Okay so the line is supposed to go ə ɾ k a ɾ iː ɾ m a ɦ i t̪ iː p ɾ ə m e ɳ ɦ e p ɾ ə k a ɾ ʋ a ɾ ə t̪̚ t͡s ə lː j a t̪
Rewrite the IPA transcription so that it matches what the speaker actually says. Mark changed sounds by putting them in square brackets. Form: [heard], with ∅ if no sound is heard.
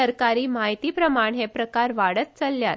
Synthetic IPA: ə ɾ k a ɾ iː [∅] m a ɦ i t̪ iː p ɾ ə m [a] ɳ ɦ e p ɾ ə k a ɾ ʋ a [ɽ] ə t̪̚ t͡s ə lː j a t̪